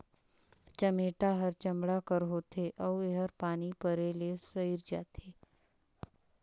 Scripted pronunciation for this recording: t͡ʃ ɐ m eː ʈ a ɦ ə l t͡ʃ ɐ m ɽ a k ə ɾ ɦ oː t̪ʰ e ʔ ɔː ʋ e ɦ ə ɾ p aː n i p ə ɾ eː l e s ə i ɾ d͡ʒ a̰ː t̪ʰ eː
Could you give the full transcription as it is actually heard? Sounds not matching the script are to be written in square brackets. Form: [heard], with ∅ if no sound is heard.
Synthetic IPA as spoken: t͡ʃ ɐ m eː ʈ a ɦ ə [ɾ] t͡ʃ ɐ m ɽ a k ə ɾ ɦ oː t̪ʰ e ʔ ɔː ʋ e ɦ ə ɾ p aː n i p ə ɾ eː l e s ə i ɾ d͡ʒ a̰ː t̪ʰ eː